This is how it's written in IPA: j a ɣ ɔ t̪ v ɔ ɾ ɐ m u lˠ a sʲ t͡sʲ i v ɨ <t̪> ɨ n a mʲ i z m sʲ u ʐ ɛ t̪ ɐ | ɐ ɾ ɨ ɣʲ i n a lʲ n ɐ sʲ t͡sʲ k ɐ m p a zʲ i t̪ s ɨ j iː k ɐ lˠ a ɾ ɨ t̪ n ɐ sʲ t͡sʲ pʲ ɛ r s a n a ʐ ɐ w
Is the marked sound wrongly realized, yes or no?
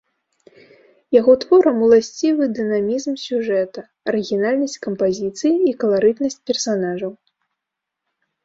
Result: yes